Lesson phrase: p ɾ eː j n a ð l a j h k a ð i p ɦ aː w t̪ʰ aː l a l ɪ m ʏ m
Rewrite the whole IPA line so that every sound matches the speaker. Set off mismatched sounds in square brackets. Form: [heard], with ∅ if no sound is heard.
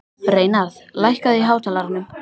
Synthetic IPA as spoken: p ɾ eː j n a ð l a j h k a ð i [∅] ɦ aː w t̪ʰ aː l a [ɾ] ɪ [n] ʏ m